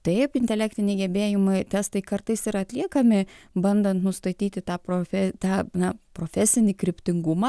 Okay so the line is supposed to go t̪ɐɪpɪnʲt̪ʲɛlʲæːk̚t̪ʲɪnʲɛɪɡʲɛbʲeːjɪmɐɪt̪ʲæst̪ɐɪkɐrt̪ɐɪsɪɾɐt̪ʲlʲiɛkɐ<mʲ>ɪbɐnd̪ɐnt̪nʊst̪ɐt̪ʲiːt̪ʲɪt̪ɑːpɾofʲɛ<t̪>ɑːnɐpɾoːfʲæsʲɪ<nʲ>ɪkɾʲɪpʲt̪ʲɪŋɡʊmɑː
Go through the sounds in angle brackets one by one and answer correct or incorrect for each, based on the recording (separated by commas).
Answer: correct, correct, correct